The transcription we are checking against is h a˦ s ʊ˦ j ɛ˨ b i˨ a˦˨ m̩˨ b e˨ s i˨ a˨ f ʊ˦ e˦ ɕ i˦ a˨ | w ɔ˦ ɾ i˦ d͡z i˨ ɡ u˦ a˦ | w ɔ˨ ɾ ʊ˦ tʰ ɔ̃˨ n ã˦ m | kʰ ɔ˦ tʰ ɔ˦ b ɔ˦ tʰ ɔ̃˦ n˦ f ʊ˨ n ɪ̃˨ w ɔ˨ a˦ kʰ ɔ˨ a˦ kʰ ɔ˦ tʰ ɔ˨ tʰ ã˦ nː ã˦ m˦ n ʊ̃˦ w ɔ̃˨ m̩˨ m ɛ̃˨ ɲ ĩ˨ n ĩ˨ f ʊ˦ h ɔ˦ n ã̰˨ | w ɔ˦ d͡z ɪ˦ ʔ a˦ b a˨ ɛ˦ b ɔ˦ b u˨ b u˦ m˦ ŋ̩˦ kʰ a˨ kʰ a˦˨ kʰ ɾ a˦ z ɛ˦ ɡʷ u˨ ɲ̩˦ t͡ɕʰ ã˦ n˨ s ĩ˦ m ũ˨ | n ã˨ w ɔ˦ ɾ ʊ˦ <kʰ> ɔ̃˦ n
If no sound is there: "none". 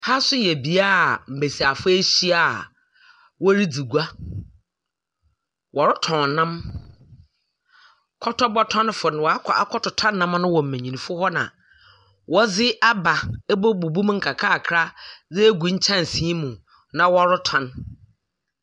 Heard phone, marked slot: tʰ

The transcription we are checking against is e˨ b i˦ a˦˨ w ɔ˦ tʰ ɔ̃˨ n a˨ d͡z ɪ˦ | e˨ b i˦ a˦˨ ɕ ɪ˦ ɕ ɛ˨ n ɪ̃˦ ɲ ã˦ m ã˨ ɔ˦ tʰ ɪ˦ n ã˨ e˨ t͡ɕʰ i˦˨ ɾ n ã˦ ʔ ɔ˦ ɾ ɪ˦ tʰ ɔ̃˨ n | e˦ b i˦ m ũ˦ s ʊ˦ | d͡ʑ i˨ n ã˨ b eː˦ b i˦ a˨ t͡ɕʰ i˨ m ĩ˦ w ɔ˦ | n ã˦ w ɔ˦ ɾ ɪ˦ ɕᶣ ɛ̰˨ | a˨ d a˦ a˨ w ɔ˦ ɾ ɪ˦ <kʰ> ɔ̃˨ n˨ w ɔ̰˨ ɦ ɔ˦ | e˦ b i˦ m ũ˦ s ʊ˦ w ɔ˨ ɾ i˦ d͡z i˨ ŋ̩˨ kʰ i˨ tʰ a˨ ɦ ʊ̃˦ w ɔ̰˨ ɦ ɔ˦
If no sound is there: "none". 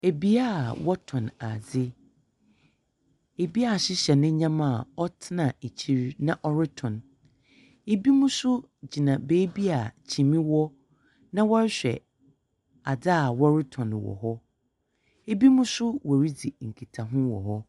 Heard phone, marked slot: tʰ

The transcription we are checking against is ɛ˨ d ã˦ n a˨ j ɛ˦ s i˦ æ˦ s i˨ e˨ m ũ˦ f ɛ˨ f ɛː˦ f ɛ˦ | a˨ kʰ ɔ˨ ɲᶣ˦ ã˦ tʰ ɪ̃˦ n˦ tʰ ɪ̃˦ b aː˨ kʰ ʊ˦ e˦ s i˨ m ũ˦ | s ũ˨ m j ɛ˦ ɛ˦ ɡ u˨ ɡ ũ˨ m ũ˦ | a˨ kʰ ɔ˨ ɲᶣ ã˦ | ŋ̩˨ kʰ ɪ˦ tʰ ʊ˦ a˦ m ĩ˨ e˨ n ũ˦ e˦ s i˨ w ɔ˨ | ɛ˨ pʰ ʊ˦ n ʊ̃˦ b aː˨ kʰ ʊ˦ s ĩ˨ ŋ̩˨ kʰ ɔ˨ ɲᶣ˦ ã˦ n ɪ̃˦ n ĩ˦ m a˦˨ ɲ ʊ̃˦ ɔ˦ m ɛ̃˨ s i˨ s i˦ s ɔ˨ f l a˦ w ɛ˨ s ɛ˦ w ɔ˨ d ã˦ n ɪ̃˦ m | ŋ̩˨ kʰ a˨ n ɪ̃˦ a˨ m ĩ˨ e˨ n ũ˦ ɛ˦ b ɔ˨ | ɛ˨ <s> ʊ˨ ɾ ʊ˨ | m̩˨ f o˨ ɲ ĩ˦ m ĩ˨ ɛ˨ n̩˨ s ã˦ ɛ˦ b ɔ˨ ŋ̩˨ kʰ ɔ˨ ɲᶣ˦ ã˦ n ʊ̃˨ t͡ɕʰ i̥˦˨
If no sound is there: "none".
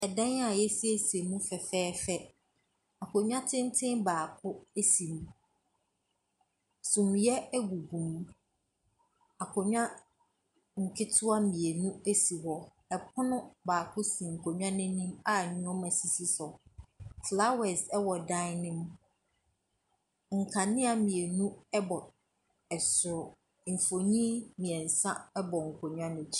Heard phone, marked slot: s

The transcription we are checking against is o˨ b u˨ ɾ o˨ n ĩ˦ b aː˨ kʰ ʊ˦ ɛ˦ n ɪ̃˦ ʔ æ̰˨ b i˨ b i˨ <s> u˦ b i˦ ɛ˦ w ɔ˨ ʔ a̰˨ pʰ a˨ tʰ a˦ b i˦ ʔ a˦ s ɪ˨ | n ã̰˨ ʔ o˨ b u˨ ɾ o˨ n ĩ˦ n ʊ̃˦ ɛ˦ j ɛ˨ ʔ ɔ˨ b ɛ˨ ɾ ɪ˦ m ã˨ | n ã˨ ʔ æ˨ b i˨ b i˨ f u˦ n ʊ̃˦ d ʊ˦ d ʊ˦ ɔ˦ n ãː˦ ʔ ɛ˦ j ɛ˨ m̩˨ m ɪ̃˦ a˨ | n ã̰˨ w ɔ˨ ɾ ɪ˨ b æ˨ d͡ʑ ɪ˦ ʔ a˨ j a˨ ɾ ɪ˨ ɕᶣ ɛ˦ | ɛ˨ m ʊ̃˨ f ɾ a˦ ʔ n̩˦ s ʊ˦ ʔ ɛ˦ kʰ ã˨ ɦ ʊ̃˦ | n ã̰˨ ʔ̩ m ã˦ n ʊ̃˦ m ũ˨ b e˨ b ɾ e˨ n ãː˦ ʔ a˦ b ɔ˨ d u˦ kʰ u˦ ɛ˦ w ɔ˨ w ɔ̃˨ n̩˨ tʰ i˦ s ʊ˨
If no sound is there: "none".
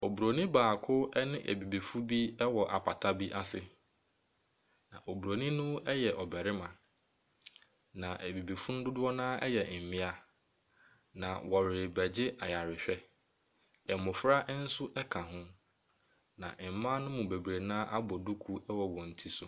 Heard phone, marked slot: f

